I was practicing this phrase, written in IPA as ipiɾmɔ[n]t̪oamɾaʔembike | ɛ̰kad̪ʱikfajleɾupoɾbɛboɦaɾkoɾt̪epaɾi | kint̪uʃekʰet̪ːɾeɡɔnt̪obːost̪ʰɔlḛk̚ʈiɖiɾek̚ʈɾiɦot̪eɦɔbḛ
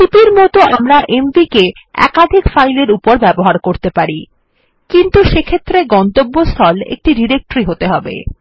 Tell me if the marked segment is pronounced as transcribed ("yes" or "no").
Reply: no